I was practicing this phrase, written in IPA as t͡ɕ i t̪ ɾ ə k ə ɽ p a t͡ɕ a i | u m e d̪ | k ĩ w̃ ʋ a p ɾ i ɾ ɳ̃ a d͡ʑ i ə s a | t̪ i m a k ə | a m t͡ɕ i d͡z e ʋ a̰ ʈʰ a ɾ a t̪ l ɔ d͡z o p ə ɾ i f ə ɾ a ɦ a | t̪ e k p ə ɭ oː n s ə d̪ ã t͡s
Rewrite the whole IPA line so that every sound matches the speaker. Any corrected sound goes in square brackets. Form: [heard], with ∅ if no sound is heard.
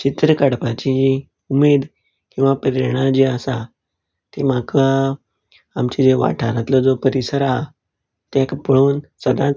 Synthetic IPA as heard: t͡ɕ i t̪ ɾ ə k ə ɽ p a t͡ɕ [i] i | u m e d̪ | k ĩ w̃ ʋ a p ɾ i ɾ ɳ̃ a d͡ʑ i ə s a | t̪ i m a k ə | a m t͡ɕ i d͡z e ʋ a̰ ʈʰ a ɾ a t̪ l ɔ d͡z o p ə ɾ i [s] ə ɾ a ɦ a | t̪ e k p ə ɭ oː n s ə d̪ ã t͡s